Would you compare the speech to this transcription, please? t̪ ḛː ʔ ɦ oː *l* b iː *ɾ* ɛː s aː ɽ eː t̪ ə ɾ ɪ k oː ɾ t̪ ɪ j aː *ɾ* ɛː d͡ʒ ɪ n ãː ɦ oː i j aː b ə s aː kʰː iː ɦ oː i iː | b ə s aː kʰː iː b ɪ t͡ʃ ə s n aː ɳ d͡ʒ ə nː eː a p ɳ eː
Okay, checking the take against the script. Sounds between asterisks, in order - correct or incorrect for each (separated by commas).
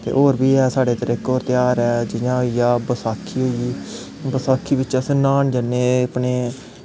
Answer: incorrect, incorrect, correct